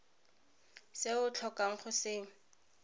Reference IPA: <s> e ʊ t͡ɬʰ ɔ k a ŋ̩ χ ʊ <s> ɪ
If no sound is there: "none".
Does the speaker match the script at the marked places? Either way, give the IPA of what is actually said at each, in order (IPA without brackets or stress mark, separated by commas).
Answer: s, s